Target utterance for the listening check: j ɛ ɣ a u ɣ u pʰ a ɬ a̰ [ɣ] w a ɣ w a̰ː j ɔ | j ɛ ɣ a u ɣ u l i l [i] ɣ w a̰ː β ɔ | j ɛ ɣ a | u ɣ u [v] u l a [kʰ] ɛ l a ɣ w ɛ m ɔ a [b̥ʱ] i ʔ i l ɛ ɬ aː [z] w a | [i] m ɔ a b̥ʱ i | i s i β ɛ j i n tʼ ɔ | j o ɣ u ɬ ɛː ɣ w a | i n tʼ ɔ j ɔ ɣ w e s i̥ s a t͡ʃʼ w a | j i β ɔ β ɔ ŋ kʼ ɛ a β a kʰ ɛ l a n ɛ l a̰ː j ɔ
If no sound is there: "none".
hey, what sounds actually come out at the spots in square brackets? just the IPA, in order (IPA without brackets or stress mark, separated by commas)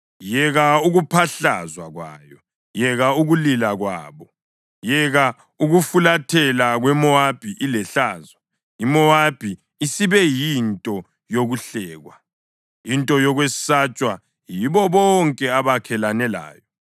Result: z, a, f, tʰ, b̥ʱ, z, i